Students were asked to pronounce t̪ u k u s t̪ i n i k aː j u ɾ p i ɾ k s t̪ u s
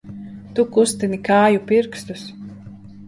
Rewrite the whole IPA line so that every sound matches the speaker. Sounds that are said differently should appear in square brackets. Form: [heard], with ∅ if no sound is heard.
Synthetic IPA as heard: t̪ u k u s t̪ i n i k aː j u [∅] p i ɾ k s t̪ u s